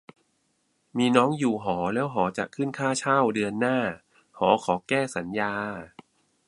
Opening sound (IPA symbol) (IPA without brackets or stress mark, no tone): m